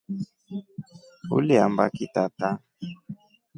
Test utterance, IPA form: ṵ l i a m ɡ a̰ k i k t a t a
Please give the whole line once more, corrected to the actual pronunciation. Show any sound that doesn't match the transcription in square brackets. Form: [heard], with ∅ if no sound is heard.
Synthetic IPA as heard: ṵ l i a m [b] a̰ k i [∅] t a t a